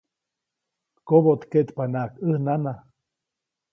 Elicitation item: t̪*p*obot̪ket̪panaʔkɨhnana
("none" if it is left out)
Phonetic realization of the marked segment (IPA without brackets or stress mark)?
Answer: k